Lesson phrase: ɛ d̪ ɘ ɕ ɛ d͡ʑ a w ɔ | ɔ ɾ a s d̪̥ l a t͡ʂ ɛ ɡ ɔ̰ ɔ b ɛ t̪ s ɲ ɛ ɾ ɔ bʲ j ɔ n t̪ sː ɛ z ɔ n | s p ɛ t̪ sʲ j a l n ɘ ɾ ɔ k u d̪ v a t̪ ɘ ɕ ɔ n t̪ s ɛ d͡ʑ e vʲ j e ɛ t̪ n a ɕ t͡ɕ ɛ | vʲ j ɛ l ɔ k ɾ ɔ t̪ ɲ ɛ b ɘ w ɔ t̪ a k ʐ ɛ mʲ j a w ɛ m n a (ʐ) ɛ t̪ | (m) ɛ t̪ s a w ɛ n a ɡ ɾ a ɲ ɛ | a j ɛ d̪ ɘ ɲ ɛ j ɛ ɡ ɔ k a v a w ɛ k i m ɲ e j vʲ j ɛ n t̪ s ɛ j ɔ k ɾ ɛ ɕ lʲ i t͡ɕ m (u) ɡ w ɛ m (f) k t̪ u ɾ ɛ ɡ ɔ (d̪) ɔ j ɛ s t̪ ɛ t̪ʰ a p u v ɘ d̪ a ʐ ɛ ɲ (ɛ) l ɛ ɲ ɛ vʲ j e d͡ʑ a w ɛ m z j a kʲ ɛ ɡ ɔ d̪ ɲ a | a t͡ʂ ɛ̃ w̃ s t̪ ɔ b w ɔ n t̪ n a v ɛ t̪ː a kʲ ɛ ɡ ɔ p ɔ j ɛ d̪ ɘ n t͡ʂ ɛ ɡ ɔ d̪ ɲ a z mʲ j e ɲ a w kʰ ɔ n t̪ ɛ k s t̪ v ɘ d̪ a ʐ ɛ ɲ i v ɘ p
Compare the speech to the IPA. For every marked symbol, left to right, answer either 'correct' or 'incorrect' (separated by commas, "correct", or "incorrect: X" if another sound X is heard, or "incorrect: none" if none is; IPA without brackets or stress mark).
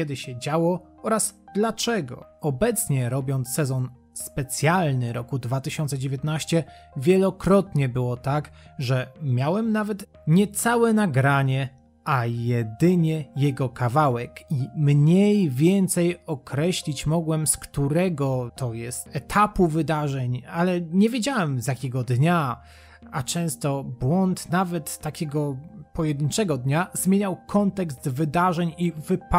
incorrect: v, incorrect: ɲ, incorrect: ɔ, incorrect: s, incorrect: t̪, incorrect: a